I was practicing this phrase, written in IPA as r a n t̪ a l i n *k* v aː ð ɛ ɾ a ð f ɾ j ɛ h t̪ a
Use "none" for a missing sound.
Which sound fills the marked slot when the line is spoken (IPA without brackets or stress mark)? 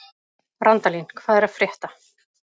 kʰ